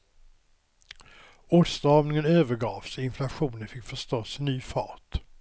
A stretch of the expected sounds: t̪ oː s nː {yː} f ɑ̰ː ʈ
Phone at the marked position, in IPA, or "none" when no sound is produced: yː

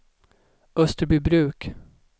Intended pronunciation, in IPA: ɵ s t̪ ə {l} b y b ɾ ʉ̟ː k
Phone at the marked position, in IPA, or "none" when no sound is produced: ɾ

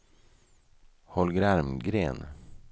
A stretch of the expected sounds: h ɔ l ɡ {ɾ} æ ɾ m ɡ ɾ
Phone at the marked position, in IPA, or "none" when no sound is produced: ɾ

